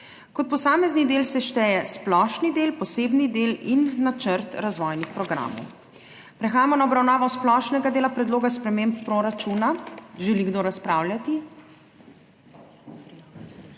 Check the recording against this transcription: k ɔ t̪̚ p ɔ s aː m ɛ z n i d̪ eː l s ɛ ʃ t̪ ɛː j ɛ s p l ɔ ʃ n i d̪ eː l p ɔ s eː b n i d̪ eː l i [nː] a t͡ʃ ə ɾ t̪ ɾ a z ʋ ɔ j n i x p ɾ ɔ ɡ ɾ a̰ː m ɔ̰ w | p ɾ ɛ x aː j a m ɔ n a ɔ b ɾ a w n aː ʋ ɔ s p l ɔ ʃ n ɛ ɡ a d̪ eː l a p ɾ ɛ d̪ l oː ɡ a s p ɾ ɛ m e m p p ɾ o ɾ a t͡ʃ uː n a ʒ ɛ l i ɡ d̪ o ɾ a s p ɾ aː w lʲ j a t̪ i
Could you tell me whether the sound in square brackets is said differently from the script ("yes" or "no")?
no